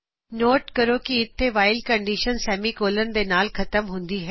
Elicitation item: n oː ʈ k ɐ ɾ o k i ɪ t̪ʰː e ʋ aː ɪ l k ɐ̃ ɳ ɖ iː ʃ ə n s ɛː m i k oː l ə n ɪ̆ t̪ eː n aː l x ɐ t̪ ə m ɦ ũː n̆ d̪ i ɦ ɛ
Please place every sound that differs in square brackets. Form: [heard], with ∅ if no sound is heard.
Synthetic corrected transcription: n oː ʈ k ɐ ɾ o k i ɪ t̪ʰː e ʋ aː ɪ l k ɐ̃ ɳ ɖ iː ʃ ə n s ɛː m i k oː l ə n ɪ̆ [d̪] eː n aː l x ɐ t̪ ə m ɦ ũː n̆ d̪ i ɦ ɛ